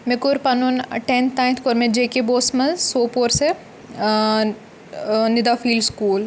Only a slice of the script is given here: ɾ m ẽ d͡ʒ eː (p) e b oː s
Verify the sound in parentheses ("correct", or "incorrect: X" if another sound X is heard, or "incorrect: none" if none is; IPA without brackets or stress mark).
incorrect: k